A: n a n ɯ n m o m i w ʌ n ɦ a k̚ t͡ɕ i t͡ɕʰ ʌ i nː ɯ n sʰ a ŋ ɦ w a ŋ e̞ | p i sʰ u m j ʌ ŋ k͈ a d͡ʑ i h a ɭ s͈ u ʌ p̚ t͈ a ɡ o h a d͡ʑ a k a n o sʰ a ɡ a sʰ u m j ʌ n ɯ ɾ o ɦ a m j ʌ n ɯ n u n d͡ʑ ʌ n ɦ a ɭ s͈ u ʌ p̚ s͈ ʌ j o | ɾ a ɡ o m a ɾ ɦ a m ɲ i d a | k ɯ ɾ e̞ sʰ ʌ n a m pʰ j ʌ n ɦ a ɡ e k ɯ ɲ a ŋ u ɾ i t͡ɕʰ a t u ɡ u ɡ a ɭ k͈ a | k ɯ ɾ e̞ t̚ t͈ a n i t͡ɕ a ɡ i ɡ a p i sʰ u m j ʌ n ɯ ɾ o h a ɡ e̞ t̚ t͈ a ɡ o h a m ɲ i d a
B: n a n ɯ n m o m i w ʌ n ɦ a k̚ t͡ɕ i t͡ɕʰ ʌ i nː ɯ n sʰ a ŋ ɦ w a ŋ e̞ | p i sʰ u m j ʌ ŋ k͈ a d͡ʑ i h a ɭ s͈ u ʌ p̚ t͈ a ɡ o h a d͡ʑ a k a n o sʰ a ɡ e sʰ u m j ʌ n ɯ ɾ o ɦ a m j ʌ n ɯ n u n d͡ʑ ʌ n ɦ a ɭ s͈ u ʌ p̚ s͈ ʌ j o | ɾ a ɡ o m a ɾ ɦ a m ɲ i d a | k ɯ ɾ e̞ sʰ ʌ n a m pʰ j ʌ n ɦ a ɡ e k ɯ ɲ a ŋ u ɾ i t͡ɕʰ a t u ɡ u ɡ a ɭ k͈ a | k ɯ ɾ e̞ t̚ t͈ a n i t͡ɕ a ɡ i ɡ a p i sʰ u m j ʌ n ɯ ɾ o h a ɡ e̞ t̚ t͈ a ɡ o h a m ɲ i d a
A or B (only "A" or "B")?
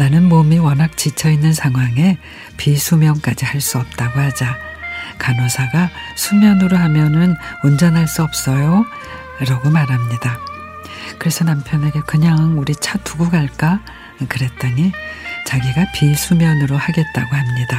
A